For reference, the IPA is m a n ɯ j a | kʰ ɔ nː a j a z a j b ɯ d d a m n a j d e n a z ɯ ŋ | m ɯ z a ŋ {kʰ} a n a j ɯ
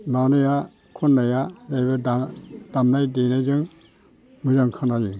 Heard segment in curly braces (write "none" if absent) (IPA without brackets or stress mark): kʰ